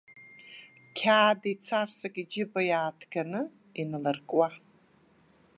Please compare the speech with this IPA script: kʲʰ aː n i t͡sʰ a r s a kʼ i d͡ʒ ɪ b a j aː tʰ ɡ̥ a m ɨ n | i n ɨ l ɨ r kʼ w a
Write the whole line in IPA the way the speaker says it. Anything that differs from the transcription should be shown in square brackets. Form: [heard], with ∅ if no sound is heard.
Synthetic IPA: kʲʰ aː [d] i t͡sʰ a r s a kʼ i d͡ʒ ɪ b a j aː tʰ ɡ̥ a [n] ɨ [∅] | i n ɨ l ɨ r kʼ w a